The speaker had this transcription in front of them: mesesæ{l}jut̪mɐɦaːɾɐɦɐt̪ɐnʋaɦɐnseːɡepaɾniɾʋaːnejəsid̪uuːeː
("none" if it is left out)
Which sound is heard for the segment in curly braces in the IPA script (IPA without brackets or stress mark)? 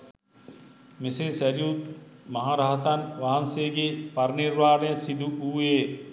ɾ